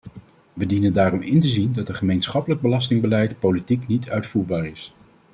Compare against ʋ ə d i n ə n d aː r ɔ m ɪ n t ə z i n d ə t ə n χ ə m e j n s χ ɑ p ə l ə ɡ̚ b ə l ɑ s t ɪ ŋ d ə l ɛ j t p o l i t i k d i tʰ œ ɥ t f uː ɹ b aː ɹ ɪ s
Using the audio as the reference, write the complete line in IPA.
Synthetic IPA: ʋ ə d i n ə n d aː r ɔ m ɪ n t ə z i n d ɑ t ə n χ ə m e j n s χ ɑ p ə l ə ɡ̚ b ə l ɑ s t ɪ ŋ b ə l ɛ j t p o l i t i k n i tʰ œ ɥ t f uː ɹ b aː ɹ ɪ s